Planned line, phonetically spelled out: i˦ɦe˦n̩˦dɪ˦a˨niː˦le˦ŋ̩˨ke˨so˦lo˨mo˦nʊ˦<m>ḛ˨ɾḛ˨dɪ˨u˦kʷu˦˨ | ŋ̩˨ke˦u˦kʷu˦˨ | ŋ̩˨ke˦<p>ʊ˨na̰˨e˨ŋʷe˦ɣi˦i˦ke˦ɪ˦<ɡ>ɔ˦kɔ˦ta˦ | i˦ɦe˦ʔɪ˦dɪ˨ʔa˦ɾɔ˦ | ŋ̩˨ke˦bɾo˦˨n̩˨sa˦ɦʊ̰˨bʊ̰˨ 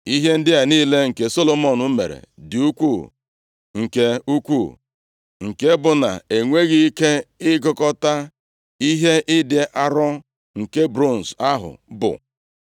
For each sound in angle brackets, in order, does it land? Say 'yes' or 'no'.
yes, no, yes

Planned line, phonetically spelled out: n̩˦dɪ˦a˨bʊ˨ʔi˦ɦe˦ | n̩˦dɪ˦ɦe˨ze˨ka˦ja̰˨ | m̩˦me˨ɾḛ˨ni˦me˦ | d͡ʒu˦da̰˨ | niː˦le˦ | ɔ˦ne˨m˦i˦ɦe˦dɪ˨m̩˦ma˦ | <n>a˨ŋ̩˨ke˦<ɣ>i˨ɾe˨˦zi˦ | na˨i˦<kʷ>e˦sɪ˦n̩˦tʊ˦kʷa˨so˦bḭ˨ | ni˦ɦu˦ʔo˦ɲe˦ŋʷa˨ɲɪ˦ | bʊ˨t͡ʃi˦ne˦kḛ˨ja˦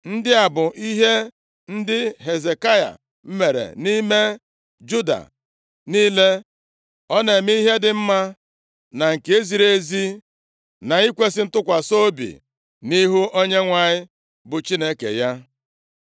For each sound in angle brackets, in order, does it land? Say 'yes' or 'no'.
yes, no, yes

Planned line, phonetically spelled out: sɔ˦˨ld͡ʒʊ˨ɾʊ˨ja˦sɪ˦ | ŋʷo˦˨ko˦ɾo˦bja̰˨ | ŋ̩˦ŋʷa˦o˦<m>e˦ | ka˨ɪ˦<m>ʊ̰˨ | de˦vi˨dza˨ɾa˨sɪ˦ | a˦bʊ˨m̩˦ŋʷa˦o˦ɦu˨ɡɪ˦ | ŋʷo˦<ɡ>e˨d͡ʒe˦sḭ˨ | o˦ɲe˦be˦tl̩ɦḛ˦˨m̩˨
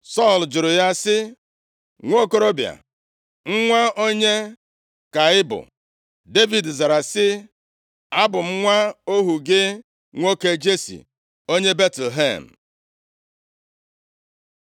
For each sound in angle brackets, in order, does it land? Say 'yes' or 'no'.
no, no, no

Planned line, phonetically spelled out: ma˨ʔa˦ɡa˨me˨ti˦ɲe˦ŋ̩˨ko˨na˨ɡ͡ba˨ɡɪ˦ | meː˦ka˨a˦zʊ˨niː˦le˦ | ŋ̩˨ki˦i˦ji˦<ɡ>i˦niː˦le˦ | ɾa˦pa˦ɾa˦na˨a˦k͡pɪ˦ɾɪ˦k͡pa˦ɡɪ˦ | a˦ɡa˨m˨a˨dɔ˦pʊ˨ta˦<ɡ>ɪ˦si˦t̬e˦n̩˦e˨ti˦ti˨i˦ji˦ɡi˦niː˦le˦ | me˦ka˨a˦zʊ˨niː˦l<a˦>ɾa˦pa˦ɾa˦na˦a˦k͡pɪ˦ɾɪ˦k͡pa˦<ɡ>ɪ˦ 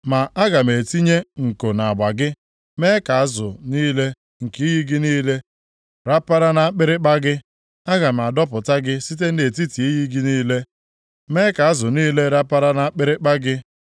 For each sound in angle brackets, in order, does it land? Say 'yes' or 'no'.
yes, yes, no, yes

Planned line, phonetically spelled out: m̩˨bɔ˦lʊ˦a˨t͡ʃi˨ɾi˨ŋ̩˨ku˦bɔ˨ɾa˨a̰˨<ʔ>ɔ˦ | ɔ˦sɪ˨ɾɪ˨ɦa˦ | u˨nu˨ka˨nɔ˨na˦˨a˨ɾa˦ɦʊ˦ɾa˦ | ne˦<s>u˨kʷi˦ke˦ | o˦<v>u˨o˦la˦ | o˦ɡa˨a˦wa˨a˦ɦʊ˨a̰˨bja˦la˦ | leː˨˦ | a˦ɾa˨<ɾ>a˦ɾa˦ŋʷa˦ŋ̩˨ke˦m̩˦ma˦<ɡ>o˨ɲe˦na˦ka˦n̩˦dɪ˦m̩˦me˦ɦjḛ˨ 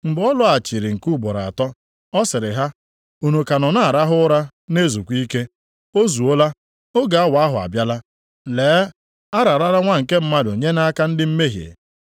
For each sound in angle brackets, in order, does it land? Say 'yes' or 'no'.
no, no, no, yes, no

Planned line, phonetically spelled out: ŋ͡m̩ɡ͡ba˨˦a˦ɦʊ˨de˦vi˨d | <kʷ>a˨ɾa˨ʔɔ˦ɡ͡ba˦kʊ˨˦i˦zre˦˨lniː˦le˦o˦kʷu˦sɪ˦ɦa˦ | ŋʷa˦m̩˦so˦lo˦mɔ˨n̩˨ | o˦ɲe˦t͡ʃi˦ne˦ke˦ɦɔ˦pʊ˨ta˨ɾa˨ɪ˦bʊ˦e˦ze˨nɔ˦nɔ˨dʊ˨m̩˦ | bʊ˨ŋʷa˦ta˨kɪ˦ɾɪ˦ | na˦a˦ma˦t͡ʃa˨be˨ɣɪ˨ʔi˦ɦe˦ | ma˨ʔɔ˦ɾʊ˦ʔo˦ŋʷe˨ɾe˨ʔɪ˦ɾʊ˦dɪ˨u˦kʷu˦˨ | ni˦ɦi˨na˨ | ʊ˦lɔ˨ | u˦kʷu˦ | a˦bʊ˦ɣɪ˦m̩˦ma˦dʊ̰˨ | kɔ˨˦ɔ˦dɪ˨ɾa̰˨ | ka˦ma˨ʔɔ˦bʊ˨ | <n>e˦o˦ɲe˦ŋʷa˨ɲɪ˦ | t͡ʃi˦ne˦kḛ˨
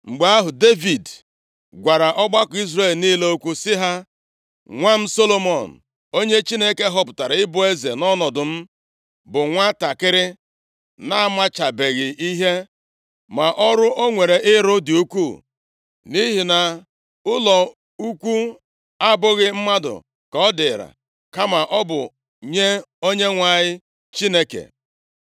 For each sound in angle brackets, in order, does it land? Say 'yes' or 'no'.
no, no

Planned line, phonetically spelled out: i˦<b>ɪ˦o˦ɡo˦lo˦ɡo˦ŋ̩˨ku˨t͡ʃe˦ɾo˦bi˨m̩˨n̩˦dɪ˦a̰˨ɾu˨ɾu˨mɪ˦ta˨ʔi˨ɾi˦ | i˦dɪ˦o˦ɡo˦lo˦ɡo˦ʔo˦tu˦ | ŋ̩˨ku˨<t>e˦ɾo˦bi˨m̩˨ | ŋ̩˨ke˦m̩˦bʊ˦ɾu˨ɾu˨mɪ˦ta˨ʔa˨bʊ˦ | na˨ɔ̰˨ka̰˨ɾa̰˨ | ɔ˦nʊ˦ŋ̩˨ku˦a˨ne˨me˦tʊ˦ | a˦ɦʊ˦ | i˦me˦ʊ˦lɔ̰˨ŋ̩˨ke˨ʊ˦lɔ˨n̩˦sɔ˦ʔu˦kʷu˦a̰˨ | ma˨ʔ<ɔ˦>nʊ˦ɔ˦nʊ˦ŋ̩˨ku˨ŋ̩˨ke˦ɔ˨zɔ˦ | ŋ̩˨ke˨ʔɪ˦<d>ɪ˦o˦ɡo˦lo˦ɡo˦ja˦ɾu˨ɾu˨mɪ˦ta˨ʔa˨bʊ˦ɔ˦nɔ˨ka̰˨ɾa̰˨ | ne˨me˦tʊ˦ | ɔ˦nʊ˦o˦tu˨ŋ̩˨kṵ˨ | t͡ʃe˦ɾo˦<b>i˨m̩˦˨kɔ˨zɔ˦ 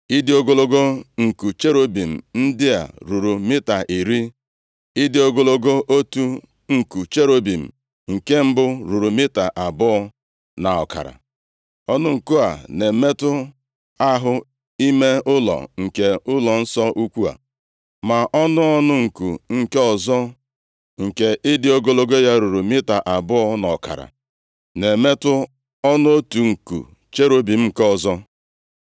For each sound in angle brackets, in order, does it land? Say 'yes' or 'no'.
no, no, yes, yes, yes

